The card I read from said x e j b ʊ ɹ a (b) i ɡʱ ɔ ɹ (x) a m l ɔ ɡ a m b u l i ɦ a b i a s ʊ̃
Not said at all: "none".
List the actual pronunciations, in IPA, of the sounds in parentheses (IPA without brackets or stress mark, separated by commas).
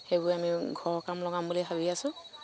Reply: m, k